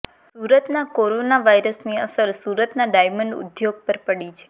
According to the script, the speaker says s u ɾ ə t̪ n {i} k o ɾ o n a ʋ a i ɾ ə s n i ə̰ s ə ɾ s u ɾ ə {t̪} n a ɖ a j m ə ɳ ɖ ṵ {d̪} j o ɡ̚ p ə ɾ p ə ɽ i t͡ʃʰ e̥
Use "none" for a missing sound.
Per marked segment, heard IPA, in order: a, t̪, d̪

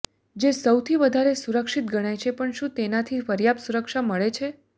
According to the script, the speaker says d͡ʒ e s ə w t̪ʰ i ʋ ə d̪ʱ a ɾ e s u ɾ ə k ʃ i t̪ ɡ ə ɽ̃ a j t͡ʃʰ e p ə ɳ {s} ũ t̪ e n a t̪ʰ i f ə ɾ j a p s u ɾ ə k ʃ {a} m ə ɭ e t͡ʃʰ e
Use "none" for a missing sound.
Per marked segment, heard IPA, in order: ʃ, a

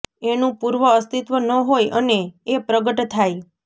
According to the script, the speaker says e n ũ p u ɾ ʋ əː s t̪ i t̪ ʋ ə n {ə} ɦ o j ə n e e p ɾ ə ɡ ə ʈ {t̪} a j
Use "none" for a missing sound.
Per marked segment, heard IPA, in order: ə, t̪ʰ

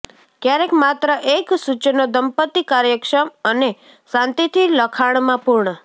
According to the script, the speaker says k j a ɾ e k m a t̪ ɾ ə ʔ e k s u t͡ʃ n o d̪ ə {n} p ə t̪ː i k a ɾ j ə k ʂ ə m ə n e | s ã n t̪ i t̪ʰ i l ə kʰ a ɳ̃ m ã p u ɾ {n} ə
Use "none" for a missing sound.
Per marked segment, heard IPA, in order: m, ɳ

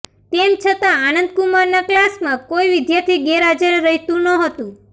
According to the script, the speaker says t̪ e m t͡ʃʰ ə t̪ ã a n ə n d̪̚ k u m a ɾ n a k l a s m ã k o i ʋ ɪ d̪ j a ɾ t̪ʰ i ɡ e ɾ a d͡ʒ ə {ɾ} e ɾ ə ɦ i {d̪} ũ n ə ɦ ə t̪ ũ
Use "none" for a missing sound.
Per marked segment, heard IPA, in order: ɾ, t̪

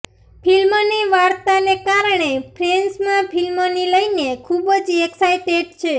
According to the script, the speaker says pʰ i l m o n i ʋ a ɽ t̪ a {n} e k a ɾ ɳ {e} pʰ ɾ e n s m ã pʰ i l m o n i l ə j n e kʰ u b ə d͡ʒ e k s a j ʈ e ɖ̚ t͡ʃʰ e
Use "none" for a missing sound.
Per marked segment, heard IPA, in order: n, e

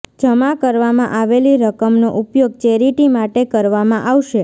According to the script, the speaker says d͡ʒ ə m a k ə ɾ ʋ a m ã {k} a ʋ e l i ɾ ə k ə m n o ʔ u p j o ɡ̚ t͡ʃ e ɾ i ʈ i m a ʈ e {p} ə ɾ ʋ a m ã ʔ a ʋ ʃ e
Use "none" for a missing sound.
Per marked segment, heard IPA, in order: ʔ, k

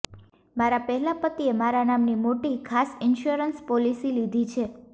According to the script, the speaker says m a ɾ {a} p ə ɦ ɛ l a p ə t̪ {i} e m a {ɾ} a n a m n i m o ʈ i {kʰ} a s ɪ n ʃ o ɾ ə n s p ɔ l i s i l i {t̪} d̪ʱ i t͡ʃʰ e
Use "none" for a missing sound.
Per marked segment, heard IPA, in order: a, i, ɾ, kʰ, none

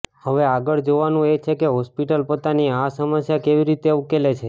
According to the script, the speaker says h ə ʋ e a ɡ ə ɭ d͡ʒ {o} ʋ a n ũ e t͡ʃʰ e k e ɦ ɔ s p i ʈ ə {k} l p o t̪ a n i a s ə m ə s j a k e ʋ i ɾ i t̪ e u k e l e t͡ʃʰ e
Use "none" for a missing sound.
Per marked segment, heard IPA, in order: o, none

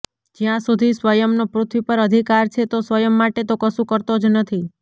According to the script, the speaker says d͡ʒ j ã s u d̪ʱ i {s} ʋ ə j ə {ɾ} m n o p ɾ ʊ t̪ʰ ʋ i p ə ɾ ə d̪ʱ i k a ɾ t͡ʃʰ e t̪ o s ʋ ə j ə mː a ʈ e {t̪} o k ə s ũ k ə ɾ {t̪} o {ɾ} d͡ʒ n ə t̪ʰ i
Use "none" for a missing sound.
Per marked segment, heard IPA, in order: s, none, t̪, t̪, none

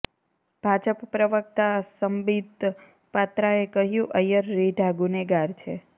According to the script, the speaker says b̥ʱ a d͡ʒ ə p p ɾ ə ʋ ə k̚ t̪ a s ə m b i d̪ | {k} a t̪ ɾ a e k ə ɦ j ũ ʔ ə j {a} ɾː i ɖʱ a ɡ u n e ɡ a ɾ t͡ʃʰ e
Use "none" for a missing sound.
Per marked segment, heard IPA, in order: p, ə

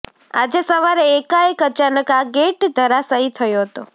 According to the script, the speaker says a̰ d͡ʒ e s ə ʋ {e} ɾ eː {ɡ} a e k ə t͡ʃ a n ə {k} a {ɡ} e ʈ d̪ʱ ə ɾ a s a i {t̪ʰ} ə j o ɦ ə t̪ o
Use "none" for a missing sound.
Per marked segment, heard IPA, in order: a, k, k, ɡ, t̪ʰ

